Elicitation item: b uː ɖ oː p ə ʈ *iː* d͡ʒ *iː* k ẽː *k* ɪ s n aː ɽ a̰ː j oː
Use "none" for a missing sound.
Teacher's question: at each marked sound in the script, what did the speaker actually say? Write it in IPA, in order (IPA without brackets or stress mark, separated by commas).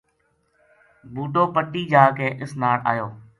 iː, aː, ʔ